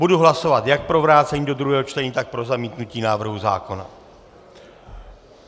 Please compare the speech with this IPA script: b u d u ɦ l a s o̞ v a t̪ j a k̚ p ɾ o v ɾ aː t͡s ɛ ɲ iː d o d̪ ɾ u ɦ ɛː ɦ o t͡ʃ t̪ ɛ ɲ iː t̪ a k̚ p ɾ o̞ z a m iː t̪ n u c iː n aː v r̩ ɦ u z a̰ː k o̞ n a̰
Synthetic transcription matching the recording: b u d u ɦ l a s o̞ v a t̪ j a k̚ p ɾ o v ɾ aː t͡s ɛ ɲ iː d o d̪ ɾ u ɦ ɛː ɦ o t͡ʃ t̪ ɛ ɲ iː t̪ a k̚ p ɾ o̞ z a m iː t̪ n u c iː n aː v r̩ ɦ u z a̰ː k o̞ n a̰